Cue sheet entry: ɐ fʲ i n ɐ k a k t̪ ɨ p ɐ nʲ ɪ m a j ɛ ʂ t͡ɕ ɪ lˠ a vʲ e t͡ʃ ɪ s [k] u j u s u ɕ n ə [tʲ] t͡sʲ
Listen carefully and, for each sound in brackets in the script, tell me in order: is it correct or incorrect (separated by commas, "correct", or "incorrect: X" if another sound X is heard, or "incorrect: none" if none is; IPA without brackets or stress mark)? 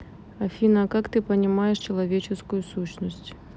correct, incorrect: sʲ